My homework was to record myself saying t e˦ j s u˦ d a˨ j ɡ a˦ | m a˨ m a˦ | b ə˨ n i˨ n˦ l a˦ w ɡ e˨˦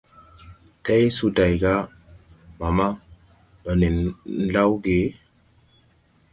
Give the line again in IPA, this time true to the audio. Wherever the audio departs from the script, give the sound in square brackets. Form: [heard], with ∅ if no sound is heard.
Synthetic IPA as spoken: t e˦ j s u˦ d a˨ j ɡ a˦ | m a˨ m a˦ | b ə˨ n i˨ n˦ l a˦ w ɡ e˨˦